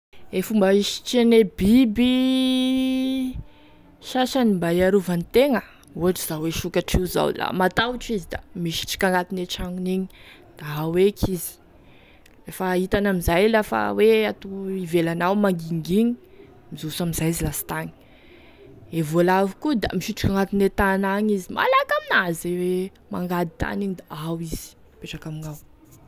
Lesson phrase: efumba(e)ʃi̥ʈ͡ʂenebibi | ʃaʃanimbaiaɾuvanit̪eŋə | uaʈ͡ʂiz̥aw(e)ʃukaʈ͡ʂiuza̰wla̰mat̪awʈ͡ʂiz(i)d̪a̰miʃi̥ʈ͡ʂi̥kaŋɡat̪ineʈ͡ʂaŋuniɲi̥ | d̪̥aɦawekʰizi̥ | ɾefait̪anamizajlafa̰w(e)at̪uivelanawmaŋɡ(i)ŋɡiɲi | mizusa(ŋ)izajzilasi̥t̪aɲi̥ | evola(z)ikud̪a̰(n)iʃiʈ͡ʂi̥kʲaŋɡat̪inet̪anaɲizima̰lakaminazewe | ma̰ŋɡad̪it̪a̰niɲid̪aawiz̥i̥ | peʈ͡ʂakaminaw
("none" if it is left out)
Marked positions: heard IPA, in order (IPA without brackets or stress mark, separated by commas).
i, e, i, e, i, m, v, m